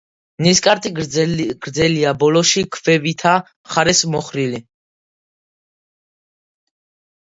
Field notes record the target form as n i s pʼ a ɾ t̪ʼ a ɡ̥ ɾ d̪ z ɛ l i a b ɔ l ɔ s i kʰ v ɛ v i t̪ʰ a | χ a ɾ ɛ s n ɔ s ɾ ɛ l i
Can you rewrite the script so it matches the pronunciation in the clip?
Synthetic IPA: n i s kʼ a ɾ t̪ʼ i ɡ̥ ɾ d̪ z ɛ l i a b ɔ l ɔ ʃ i kʰ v ɛ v i t̪ʰ a | χ a ɾ ɛ s m ɔ χ ɾ i l i